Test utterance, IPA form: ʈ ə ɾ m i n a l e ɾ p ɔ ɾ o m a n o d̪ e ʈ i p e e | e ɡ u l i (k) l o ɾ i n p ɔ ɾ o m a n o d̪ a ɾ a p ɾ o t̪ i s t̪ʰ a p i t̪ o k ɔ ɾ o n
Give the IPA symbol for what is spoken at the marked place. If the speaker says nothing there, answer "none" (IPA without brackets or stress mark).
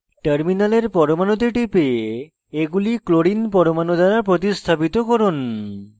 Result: k